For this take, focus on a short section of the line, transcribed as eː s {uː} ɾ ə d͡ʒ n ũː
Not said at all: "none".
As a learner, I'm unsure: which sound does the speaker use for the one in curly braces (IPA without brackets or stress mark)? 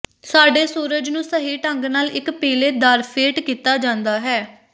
uː